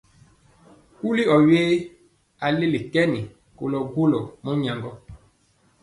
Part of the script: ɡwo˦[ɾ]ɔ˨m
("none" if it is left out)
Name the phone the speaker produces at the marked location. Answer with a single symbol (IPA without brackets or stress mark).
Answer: l